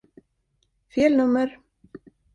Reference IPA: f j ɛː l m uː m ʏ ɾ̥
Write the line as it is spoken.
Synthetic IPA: f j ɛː l n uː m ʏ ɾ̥